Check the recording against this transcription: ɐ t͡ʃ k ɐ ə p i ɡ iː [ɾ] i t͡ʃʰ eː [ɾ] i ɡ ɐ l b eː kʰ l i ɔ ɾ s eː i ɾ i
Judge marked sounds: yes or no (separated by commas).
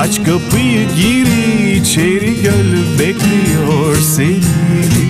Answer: yes, yes